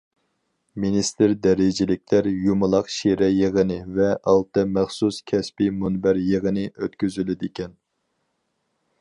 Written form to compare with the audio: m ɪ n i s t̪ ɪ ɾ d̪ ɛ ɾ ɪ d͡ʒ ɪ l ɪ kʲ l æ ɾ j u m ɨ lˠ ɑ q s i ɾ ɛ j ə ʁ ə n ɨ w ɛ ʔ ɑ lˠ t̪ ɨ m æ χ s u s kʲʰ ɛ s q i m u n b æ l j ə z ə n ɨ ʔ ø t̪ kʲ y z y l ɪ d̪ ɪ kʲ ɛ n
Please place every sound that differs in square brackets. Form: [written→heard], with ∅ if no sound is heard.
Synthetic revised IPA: m [ɪ→i] n i s t̪ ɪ ɾ d̪ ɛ ɾ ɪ d͡ʒ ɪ l ɪ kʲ l æ ɾ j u m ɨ lˠ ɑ q [s→ʃ] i ɾ ɛ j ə ʁ ə n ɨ [w→v] ɛ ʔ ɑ lˠ t̪ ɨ m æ χ s u s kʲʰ ɛ s [q→p] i m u n b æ [l→ɾ] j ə [z→ʁ] ə n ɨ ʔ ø t̪ kʲ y z y l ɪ d̪ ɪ kʲ ɛ n